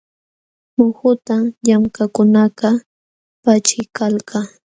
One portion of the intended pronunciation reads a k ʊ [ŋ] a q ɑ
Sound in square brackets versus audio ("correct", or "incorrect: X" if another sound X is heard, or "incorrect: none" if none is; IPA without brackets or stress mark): incorrect: n